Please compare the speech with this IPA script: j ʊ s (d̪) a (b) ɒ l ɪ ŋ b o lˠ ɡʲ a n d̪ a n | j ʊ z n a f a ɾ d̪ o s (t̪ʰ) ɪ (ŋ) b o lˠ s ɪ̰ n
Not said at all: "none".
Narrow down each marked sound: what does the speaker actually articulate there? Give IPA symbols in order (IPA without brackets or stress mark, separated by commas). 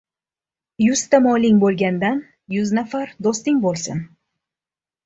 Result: t̪, m, t̪, ŋ